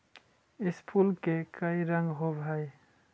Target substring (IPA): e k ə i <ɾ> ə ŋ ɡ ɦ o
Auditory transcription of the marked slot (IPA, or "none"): ɾ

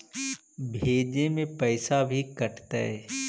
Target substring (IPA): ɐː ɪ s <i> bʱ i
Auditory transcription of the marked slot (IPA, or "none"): a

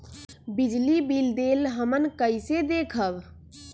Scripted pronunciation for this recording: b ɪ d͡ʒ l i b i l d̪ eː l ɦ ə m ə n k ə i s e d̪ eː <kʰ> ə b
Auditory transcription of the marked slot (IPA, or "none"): kʰ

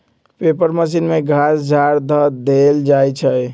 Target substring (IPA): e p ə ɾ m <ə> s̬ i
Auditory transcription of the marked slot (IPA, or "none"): ə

